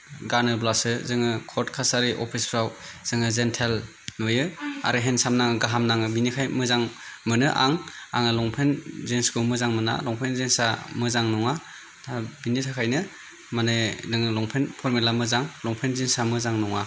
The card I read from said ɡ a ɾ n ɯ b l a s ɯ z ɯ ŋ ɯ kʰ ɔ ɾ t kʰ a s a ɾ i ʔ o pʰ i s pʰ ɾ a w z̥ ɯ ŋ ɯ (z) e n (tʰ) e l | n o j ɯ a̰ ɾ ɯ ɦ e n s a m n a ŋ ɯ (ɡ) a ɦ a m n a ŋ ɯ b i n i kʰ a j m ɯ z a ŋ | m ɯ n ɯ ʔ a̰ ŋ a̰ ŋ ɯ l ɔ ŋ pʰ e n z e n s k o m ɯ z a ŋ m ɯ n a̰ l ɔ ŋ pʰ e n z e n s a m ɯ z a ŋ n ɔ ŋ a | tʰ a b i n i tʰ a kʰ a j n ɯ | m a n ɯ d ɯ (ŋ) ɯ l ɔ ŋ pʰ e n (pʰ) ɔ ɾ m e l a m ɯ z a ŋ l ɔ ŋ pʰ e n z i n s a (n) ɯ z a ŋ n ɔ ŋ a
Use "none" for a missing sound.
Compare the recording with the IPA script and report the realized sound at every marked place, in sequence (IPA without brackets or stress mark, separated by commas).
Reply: z, tʰ, ɡ, ŋ, pʰ, m